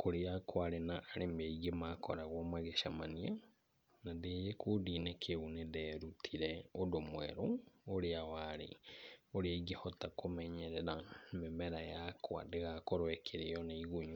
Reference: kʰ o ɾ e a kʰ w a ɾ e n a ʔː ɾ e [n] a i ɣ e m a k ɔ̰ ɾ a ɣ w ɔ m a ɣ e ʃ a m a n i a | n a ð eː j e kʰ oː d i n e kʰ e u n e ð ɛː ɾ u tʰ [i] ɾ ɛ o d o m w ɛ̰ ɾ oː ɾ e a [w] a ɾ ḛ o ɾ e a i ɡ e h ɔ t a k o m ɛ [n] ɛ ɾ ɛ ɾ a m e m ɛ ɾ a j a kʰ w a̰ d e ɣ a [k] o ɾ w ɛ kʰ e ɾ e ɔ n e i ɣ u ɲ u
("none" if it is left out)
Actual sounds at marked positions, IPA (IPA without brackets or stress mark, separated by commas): m, i, w, ɲ, k